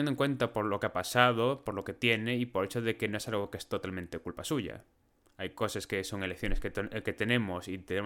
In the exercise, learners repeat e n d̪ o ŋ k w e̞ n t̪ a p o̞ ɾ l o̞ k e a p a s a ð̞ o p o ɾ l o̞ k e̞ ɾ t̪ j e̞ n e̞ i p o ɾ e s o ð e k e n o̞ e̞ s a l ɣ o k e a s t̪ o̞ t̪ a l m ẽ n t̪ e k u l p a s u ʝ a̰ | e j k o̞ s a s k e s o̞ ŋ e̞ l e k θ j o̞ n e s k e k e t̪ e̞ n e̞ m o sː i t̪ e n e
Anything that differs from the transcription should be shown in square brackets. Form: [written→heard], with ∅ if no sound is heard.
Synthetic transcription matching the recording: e n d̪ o ŋ k w e̞ n t̪ a p o̞ ɾ l o̞ k e a p a s a ð̞ o p o ɾ l o̞ k e̞ [ɾ→∅] t̪ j e̞ n e̞ i p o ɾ e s o ð e k e n o̞ e̞ s a l ɣ o k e [a→e] s t̪ o̞ t̪ a l m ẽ n t̪ e k u l p a s u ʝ a̰ | [e→a] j k o̞ s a s k e s o̞ ŋ e̞ l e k θ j o̞ n e s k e k e t̪ e̞ n e̞ m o [sː→s] i t̪ e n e